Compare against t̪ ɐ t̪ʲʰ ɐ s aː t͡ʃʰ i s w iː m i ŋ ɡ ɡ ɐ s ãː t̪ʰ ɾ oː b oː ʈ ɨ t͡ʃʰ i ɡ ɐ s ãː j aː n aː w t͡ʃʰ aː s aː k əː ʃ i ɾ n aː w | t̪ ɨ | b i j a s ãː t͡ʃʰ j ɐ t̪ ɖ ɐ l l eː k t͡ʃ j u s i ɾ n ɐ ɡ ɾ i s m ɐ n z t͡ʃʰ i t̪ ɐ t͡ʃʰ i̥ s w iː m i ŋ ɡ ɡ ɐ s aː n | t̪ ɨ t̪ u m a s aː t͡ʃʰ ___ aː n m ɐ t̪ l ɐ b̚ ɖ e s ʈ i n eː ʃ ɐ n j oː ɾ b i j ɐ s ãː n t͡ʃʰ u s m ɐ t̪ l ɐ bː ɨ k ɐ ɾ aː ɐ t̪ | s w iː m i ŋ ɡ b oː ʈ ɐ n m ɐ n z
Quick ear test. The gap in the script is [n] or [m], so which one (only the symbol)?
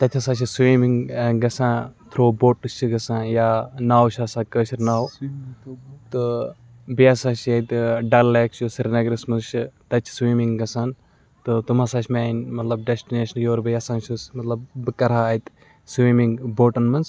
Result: m